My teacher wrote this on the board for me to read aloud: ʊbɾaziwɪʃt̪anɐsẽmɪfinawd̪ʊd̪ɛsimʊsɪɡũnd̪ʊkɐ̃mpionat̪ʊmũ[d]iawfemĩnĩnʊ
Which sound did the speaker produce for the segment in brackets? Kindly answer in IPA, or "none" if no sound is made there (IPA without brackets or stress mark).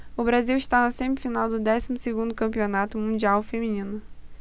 d͡ʒ